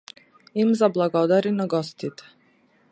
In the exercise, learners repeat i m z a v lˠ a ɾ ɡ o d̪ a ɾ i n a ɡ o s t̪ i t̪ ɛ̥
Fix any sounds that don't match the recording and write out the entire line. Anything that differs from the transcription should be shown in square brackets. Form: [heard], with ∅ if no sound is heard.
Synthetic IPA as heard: i m z a [b] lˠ a [∅] ɡ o d̪ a ɾ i n a ɡ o s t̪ i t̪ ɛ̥

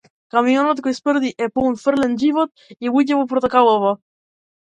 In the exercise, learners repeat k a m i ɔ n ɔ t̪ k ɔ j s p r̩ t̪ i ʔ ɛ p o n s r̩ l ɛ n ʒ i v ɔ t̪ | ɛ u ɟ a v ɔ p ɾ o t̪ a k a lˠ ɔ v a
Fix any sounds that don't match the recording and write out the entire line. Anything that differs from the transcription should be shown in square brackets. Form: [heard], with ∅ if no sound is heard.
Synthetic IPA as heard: k a m i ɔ n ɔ t̪ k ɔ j s p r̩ [d̪] i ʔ ɛ p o n [f] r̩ l ɛ n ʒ i v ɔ t̪ | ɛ u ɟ [ɛ] v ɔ p ɾ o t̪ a k a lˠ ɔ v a

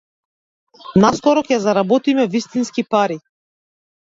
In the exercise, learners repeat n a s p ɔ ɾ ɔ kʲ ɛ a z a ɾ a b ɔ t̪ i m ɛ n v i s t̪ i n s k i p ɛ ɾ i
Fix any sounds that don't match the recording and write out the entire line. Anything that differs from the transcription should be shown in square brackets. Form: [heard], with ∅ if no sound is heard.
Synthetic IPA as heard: n a s [k] ɔ ɾ ɔ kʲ ɛ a z a ɾ a b ɔ t̪ i m ɛ [∅] v i s t̪ i n s k i p [a] ɾ i

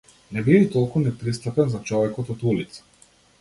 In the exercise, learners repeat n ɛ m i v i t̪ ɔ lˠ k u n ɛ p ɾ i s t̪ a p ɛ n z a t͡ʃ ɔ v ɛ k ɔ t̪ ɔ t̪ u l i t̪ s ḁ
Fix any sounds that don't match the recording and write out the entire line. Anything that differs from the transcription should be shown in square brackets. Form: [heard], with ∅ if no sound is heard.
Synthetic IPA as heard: n ɛ [b] i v i t̪ ɔ lˠ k u n ɛ p ɾ i s t̪ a p ɛ n z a t͡ʃ ɔ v ɛ k ɔ t̪ ɔ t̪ u l i t̪ s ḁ

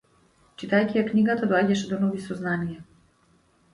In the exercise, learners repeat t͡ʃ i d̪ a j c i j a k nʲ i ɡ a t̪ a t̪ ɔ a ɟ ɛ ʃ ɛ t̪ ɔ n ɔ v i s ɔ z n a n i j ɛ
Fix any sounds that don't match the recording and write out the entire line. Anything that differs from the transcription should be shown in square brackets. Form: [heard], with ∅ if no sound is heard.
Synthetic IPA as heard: t͡ʃ i [t̪] a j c i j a k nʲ i ɡ a t̪ a [d̪] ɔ a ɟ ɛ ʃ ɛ [d̪] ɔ n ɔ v i s ɔ z n a n i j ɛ

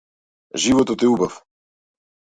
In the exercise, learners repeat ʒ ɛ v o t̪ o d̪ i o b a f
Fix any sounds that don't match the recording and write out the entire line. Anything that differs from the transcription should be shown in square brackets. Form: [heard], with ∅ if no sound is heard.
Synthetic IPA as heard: ʒ [i] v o t̪ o [t̪] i [u] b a f

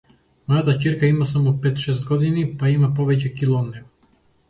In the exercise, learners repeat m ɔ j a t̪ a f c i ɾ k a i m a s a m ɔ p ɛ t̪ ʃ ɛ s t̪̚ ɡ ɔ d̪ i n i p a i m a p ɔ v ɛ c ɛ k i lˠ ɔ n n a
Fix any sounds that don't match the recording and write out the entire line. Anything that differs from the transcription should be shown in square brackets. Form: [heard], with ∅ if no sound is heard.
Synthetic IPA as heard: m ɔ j a t̪ a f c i ɾ k a i m a s a m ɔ p ɛ t̪ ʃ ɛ s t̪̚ ɡ ɔ d̪ i n i p a i m a p ɔ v ɛ c ɛ k i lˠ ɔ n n [ɛ]

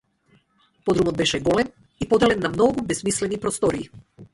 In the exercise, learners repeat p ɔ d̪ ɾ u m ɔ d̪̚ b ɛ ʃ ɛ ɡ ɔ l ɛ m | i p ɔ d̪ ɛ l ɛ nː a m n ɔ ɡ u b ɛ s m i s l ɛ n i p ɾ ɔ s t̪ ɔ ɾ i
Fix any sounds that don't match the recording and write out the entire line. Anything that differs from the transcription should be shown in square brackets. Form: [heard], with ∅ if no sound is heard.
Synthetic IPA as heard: p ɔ d̪ ɾ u m ɔ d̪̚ b ɛ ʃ ɛ ɡ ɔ l ɛ m | i p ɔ d̪ ɛ l ɛ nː a m n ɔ ɡ u b ɛ s m i s l ɛ n i p ɾ ɔ s t̪ ɔ ɾ [iː]

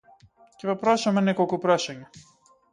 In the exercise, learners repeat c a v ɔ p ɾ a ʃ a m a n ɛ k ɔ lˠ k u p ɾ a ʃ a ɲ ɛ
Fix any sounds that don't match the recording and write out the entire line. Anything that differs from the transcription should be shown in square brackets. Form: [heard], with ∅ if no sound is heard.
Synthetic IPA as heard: c [ɛ] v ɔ p ɾ a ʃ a m [ɛ] n ɛ k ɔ lˠ k u p ɾ a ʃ a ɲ [a]

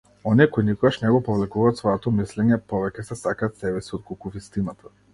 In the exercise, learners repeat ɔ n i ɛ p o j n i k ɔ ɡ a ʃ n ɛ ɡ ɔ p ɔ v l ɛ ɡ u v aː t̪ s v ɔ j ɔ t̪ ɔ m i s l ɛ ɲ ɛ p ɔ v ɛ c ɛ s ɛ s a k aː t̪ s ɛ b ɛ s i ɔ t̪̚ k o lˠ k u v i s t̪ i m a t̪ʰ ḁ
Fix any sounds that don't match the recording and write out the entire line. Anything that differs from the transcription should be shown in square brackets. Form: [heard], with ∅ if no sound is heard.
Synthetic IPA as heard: ɔ n i ɛ [k] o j n i k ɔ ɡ a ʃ n ɛ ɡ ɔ p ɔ v l ɛ [k] u v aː t̪ s v ɔ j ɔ t̪ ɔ m i s l ɛ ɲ ɛ p ɔ v ɛ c ɛ s ɛ s a k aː t̪ s ɛ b ɛ s i ɔ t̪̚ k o lˠ k u v i s t̪ i [n] a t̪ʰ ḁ

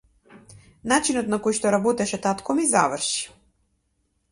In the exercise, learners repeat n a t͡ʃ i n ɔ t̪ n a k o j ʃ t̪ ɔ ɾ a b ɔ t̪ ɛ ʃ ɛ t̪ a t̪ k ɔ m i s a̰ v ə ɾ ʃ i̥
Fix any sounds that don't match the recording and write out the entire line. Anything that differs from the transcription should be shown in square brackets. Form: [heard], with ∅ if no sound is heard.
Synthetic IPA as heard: n a t͡ʃ i n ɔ t̪ n a k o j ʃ t̪ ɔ ɾ a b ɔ t̪ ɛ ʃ ɛ t̪ a t̪ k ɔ m i [z] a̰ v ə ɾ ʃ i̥

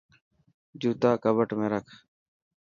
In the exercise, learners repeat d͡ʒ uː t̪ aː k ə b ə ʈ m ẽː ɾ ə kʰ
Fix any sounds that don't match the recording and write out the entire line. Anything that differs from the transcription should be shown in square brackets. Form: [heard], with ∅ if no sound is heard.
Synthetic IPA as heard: d͡ʒ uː t̪ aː k ə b ə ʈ m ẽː ɾ ə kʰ

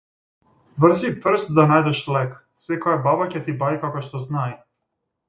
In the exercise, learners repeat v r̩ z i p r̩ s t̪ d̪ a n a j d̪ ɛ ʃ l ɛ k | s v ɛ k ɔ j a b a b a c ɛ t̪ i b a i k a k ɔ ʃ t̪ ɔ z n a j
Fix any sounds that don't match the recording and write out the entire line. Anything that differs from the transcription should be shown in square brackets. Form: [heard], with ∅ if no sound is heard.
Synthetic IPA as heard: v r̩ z i p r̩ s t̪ d̪ a n a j d̪ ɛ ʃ l ɛ k | s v ɛ k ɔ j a b a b a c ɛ t̪ i b a i k a k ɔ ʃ t̪ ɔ z n a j

